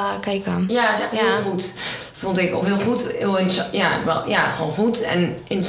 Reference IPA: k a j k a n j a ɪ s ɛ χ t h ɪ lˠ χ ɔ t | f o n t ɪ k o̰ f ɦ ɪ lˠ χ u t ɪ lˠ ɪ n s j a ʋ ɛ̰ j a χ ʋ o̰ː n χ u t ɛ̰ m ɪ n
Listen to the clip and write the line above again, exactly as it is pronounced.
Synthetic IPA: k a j k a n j a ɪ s ɛ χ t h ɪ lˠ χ u t | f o n t ɪ k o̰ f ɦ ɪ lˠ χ u t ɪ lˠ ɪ n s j a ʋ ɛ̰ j a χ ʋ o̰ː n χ u t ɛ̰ n ɪ n